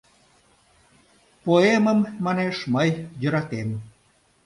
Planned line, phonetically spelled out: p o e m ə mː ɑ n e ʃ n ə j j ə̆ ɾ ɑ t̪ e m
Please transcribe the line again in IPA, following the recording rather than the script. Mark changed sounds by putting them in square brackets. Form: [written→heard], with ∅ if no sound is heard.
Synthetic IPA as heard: p o e m ə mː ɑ n e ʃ [n→m] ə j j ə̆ ɾ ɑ t̪ e m